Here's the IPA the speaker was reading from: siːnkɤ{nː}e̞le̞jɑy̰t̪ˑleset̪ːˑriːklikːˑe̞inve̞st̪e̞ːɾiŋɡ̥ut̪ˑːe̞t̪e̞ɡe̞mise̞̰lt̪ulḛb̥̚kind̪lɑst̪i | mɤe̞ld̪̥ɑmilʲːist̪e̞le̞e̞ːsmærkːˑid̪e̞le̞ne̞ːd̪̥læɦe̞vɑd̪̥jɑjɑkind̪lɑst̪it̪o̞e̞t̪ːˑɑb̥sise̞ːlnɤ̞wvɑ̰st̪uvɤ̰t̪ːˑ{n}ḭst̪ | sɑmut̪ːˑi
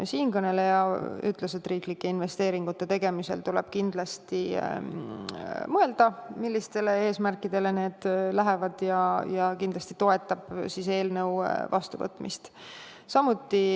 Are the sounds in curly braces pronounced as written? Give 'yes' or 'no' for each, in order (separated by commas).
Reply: no, no